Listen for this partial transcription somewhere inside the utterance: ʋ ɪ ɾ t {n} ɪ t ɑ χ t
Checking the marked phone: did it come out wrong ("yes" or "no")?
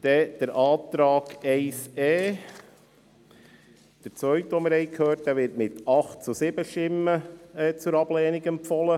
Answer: yes